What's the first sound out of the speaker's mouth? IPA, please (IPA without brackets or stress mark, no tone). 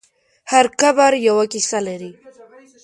h